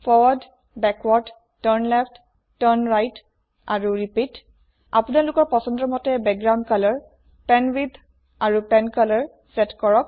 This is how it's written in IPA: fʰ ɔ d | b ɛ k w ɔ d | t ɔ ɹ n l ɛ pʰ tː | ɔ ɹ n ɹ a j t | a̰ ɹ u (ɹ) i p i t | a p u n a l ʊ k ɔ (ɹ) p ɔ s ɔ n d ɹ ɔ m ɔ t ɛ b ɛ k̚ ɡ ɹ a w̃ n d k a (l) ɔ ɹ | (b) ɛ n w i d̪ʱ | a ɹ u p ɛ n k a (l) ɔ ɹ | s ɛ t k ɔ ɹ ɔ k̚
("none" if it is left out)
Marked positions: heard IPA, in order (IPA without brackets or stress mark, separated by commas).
ɹ, ɹ, l, p, l